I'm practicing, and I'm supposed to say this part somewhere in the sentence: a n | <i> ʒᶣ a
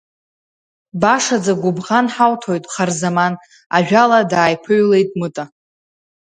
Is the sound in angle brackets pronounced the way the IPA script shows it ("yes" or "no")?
no